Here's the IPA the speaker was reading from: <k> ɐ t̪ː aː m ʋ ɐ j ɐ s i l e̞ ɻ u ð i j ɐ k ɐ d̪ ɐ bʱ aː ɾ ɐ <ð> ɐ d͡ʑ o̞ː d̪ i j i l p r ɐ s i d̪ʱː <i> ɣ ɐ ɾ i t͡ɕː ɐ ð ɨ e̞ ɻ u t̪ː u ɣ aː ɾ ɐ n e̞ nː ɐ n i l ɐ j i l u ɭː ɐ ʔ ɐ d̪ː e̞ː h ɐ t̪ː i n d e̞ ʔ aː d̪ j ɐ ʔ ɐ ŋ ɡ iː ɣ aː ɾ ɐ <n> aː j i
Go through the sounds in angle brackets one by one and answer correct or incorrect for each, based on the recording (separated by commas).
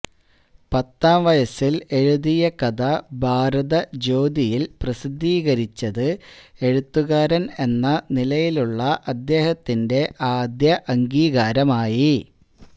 incorrect, correct, incorrect, incorrect